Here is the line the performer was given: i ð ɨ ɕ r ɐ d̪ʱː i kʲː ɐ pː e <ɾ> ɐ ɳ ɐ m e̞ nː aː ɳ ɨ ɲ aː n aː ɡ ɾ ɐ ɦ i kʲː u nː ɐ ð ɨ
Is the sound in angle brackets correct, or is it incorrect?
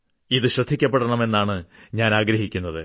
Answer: incorrect